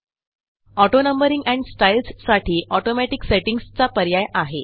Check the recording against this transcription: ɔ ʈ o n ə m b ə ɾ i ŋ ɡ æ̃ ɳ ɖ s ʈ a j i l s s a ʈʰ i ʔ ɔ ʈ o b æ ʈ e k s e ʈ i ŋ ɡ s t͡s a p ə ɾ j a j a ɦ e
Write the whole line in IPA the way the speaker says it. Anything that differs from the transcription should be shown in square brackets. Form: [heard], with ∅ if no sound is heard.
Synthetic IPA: ɔ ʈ o n ə m b ə ɾ i ŋ ɡ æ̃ ɳ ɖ s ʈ a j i l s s a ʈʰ [iː] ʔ ɔ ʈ o [m] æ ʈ [i] k s e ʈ i ŋ ɡ s t͡s a p ə ɾ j a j a ɦ e